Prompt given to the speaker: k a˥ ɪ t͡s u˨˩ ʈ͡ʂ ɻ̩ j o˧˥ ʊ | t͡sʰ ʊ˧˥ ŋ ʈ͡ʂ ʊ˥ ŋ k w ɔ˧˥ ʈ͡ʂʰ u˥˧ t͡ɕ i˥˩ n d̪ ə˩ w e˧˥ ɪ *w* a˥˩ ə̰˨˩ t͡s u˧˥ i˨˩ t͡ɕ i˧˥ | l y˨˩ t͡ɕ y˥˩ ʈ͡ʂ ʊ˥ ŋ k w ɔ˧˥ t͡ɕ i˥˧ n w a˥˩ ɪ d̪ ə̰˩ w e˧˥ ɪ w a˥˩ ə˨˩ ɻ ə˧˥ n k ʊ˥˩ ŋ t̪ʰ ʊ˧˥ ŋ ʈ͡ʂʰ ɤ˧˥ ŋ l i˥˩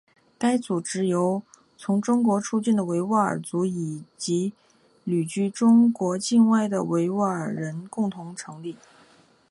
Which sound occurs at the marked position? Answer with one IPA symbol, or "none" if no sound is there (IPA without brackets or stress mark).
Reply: w